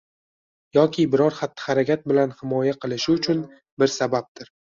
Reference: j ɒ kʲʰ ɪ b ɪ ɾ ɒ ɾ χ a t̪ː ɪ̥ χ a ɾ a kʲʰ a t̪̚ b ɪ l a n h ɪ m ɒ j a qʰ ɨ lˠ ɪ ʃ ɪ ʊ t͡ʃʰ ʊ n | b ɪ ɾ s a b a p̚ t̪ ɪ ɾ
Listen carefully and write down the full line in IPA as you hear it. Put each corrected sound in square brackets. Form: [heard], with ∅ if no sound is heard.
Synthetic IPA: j ɒ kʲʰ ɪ b ɪ ɾ ɒ ɾ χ a t̪ː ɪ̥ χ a ɾ a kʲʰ a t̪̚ b ɪ l a n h ɪ m ɒ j a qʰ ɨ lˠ ɪ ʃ ɪ ʊ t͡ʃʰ ʊ n | b ɪ ɾ s a b a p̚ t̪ ɪ ɾ